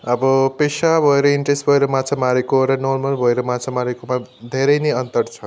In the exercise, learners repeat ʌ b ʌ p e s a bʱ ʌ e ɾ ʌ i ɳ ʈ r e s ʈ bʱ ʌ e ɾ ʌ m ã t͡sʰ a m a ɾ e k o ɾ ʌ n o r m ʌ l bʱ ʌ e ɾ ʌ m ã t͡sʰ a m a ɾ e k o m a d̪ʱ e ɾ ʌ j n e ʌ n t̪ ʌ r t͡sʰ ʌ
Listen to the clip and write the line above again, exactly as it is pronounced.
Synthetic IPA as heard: ʌ b ʌ p e s a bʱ ʌ e ɾ ʌ i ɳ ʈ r e s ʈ bʱ ʌ e ɾ ʌ m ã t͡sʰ a m a ɾ e k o ɾ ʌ n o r m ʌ l bʱ ʌ e ɾ ʌ m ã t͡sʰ a m a ɾ e k o m a d̪ʱ e ɾ ʌ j n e ʌ n t̪ ʌ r t͡sʰ ʌ